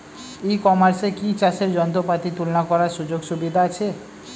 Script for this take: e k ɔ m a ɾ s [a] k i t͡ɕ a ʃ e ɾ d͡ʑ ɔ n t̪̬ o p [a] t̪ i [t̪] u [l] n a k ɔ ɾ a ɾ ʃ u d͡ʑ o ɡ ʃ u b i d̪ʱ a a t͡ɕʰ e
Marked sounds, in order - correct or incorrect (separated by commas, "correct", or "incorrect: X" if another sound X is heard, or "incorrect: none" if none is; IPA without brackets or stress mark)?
incorrect: e, correct, correct, correct